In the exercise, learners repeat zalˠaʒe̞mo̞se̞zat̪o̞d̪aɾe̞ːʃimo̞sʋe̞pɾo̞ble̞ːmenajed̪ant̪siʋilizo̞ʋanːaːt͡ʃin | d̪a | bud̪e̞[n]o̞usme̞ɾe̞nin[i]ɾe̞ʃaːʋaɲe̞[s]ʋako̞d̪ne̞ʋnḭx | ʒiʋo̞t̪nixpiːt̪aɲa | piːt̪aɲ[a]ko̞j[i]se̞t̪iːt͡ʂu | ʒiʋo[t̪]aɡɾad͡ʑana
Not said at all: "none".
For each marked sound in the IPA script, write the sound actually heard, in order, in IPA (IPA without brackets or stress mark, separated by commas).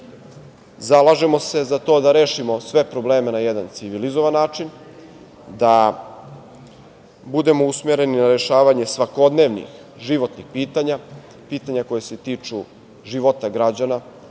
m, a, s, a, e, t̪